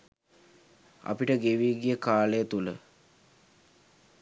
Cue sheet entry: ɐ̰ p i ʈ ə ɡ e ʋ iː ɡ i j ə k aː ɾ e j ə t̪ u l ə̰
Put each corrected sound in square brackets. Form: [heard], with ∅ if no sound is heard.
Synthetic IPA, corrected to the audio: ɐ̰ p i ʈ ə ɡ e ʋ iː ɡ i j ə k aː [l] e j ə t̪ u l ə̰